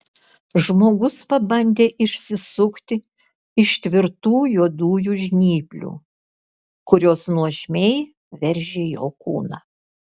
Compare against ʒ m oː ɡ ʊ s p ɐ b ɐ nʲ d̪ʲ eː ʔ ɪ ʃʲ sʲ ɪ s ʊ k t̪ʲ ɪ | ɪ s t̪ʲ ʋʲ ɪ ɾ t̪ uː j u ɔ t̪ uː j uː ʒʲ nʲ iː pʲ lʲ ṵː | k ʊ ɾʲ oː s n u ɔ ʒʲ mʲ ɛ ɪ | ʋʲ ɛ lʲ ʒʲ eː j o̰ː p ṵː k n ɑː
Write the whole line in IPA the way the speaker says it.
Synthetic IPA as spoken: ʒ m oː ɡ ʊ s p ɐ b ɐ nʲ d̪ʲ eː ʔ ɪ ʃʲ sʲ ɪ s ʊ k t̪ʲ ɪ | ɪ ʃ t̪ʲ ʋʲ ɪ ɾ t̪ uː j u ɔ d̪ uː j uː ʒʲ nʲ iː pʲ lʲ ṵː | k ʊ ɾʲ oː s n u ɔ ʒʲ mʲ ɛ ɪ | ʋʲ ɛ ɾʲ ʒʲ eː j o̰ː k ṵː n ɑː